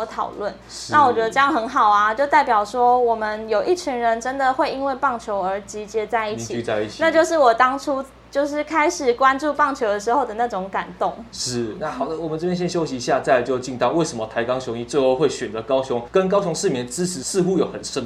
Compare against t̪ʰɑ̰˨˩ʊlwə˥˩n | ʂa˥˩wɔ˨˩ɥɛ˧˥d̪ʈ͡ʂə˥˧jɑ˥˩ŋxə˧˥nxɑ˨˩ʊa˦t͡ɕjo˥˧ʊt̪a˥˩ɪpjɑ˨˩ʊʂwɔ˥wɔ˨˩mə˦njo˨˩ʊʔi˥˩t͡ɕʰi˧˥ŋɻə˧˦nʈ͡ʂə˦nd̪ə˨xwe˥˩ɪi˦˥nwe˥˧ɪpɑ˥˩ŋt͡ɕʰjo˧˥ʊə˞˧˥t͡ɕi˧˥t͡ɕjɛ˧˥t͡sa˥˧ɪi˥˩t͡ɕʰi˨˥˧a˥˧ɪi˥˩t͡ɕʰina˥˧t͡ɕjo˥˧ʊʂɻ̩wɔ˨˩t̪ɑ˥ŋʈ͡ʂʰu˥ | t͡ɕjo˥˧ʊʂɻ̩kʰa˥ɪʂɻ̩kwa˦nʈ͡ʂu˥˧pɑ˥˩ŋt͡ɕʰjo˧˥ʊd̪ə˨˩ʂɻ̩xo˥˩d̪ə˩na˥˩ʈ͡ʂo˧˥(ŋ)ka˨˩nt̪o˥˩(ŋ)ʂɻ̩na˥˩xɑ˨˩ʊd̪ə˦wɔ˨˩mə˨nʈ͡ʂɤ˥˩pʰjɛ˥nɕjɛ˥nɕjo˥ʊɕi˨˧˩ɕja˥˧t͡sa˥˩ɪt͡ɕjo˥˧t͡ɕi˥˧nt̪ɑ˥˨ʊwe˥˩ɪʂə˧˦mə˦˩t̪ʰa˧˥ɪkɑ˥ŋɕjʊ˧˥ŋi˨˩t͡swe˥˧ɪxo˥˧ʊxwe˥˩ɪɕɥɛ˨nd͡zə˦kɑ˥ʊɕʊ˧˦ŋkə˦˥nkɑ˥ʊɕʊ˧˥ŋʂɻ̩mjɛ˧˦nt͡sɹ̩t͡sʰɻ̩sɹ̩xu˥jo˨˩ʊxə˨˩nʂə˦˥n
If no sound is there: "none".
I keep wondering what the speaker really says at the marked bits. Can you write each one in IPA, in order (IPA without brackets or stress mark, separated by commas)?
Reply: ŋ, ŋ